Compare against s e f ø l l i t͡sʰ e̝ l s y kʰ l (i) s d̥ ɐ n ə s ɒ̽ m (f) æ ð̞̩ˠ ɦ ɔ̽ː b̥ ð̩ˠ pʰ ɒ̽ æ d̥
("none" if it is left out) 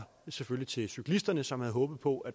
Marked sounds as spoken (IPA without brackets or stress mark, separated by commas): i, h